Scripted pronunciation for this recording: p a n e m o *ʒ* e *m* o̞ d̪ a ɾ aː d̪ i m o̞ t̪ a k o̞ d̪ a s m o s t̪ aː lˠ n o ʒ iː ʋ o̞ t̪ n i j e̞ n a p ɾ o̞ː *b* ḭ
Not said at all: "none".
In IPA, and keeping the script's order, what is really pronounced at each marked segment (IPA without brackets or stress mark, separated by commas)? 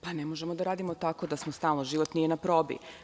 ʒ, m, b